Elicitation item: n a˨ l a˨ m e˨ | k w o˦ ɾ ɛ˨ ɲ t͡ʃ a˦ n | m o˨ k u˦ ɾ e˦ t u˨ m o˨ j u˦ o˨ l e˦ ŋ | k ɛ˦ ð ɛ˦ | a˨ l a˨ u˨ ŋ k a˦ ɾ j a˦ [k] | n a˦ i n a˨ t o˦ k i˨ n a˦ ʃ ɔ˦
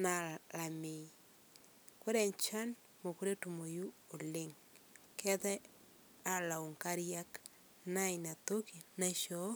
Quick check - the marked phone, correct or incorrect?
correct